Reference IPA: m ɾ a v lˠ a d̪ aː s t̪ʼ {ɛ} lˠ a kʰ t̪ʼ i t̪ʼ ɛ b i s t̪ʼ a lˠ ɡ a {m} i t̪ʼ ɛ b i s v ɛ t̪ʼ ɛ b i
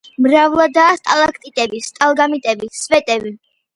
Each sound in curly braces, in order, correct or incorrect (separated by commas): incorrect, correct